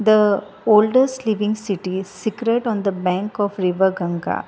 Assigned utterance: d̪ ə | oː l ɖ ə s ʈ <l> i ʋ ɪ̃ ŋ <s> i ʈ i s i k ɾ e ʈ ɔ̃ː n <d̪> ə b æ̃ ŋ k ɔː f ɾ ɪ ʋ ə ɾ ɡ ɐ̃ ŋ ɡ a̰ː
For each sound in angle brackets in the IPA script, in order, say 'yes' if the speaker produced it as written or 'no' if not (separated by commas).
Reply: yes, yes, yes